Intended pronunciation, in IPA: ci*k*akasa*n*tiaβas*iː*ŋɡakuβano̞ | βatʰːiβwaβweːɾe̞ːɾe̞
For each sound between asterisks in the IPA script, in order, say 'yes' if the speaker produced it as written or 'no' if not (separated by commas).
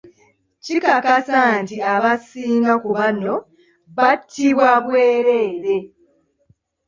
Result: yes, yes, yes